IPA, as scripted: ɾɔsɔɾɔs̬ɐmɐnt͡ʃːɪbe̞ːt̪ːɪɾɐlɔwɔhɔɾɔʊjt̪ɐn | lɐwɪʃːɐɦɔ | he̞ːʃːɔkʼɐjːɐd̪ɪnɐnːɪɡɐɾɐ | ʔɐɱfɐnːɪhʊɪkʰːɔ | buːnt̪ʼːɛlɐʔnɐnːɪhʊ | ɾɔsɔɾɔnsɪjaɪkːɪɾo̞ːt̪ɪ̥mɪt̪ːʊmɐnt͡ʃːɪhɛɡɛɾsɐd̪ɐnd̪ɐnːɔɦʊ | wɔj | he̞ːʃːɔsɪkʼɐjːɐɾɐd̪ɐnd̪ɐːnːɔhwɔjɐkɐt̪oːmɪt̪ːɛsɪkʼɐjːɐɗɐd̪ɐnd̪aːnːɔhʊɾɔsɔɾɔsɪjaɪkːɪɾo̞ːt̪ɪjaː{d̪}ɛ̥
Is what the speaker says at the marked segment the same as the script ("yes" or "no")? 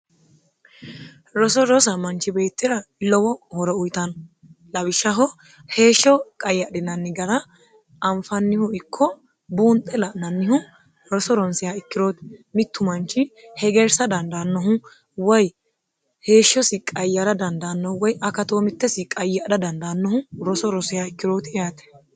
no